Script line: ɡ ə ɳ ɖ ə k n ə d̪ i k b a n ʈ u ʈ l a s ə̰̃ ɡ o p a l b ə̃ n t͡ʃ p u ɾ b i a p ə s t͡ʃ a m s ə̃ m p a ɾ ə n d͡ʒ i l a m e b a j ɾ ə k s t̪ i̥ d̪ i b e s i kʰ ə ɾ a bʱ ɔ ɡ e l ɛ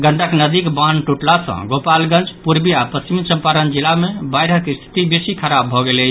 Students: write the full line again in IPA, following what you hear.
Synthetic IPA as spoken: ɡ ə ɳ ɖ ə k n ə d̪ i k b a n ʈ u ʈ l a s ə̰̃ ɡ o p a l ɡ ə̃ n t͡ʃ p u ɾ b i a p ə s t͡ʃ i m s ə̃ m p a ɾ ə n d͡ʒ i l a m e b a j ɾ ə k s t̪ʰ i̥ t̪ i b e s i kʰ ə ɾ a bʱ ɔ ɡ e l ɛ